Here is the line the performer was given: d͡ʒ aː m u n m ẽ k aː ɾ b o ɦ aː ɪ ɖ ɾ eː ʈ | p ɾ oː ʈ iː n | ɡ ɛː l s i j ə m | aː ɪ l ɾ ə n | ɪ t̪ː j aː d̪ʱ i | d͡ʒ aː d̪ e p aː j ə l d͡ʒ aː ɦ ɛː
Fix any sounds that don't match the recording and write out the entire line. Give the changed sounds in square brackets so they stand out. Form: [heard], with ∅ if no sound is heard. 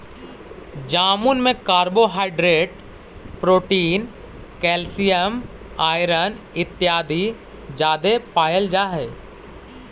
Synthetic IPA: d͡ʒ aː m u n m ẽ k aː ɾ b o ɦ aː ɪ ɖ ɾ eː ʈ | p ɾ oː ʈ iː n | [k] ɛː l s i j ə m | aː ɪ [∅] ɾ ə n | ɪ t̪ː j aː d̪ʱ i | d͡ʒ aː d̪ e p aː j ə l d͡ʒ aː ɦ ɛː